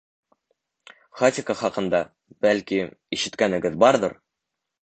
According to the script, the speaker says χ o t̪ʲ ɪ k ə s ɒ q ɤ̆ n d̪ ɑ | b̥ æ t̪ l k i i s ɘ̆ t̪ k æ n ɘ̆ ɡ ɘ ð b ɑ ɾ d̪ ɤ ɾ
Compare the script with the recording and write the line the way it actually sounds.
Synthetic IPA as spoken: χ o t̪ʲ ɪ k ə χ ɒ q ɤ̆ n d̪ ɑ | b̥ æ l k i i ʃ ɘ̆ t̪ k æ n ɘ̆ ɡ ɘ ð b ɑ ɾ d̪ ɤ ɾ